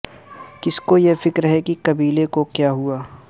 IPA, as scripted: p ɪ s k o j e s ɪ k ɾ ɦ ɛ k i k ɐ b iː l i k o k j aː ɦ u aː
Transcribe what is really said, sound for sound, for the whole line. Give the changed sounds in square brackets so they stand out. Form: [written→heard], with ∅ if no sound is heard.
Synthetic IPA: [p→k] ɪ s k o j e [s→f] ɪ k ɾ ɦ ɛ k i k ɐ b iː l [i→e] k o k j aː ɦ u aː